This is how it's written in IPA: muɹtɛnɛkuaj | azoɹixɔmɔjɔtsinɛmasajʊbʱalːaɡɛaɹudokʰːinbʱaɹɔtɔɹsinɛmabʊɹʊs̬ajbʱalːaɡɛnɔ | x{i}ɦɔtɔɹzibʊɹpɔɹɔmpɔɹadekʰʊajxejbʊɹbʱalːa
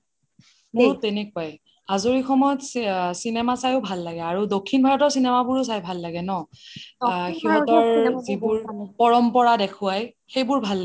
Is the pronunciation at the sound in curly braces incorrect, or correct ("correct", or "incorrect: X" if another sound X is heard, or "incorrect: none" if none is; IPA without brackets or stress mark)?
correct